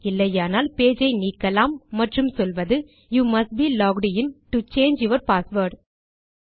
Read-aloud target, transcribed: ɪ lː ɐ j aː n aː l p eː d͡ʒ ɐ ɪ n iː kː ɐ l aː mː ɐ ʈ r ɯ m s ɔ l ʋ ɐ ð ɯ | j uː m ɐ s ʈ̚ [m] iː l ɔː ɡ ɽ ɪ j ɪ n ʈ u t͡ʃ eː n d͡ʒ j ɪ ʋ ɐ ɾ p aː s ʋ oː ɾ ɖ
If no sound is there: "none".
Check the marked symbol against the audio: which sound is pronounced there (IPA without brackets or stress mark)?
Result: b